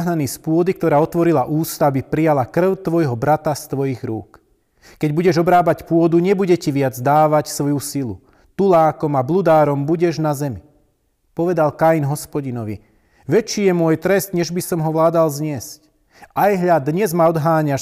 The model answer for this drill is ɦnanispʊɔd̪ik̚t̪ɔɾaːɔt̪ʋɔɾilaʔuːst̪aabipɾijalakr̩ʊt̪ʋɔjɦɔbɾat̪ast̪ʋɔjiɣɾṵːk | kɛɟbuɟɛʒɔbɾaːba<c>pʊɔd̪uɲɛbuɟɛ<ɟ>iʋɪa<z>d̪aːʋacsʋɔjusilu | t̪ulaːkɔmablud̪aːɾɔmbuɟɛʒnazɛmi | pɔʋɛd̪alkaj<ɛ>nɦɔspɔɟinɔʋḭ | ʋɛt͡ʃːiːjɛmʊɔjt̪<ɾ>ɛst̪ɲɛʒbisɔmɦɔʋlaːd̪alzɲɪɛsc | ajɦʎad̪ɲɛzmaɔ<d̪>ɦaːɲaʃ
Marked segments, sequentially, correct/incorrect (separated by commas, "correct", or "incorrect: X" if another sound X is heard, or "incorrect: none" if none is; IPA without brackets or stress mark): correct, incorrect: c, incorrect: d͡z, incorrect: i, correct, correct